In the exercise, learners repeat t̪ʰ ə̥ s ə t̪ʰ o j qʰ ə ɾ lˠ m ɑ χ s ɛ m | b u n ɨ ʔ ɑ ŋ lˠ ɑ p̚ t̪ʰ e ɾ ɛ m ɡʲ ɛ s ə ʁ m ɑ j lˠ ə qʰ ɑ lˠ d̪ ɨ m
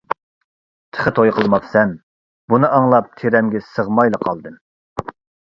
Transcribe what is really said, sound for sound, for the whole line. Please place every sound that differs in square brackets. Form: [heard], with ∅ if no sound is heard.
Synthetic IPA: t̪ʰ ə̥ [χ] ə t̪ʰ o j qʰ ə [∅] lˠ m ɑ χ s ɛ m | b u n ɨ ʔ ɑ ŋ lˠ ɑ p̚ t̪ʰ e ɾ ɛ m ɡʲ ɛ s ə ʁ m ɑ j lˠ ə qʰ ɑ lˠ d̪ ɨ m